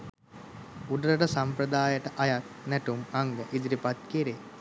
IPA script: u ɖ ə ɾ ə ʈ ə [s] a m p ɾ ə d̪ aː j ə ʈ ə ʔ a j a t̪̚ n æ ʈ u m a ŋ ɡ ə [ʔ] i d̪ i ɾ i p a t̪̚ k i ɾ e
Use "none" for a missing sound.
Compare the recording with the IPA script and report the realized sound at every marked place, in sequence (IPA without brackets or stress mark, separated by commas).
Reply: s, ʔ